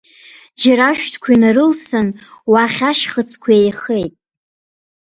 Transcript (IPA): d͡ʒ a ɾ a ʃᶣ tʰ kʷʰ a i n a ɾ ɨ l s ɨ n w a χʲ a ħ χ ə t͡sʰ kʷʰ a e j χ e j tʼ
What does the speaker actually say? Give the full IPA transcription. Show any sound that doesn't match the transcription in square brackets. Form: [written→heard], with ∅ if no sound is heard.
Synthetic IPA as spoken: d͡ʒ a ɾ a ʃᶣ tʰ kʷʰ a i n a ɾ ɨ l s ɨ n w a χʲ a [ħ→ʃ] χ ə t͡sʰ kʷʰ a e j χ e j tʼ